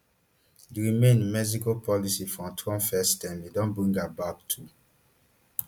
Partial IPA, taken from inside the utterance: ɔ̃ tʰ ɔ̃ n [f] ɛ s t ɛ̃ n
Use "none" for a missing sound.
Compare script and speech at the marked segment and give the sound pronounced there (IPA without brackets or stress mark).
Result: f